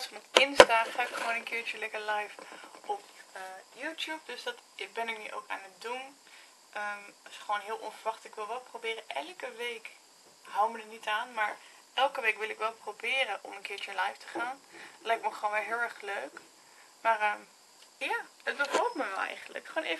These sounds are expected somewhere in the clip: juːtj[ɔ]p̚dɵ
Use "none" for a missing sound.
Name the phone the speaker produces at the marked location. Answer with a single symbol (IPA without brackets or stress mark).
u